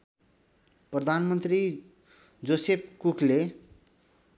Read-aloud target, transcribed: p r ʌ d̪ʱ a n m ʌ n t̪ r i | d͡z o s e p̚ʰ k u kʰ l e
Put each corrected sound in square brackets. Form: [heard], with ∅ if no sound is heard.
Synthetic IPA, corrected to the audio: p r ʌ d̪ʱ a n m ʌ n t̪ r i | d͡z o s e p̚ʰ k u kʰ l e